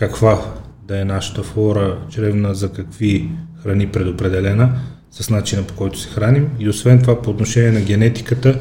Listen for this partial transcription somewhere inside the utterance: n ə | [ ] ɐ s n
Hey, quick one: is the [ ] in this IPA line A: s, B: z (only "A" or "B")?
A